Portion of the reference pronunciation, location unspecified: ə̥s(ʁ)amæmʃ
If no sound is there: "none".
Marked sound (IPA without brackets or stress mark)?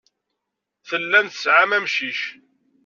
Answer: ʕ